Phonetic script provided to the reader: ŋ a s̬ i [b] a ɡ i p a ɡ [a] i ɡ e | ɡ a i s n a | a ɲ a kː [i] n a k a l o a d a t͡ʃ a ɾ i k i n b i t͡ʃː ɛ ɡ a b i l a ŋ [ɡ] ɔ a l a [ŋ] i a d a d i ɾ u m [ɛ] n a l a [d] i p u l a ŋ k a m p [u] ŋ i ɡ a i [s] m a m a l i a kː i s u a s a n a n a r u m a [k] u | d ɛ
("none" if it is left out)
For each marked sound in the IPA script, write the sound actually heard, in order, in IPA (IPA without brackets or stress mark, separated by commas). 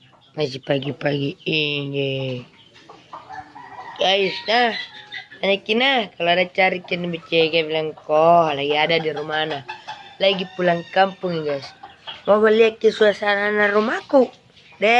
p, i, i, k, ɡ, a, ɡ, u, s, k